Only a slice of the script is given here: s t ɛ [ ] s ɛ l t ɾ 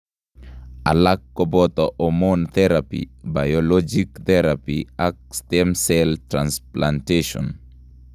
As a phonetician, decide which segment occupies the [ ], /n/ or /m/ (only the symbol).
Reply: m